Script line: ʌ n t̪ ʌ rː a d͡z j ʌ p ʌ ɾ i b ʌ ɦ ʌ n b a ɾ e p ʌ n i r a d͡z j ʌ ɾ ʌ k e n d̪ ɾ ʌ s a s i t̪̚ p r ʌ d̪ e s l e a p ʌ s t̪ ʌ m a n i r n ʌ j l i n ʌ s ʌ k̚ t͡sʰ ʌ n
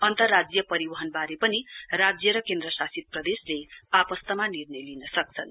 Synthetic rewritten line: ʌ n t̪ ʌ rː a d͡z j ʌ p ʌ ɾ i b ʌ ɦ ʌ n b a ɾ e p ʌ n i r a d͡z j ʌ ɾ ʌ k e n d̪ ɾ ʌ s a s i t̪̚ p r ʌ d̪ e s l e a p ʌ s t̪ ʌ m a n i r n ʌ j l i n ʌ s ʌ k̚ t͡sʰ ʌ n